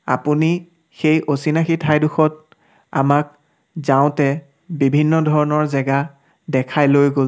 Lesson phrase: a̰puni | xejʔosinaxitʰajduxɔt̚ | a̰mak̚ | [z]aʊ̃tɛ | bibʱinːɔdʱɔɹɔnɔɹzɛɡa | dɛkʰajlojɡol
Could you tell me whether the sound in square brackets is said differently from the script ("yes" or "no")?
no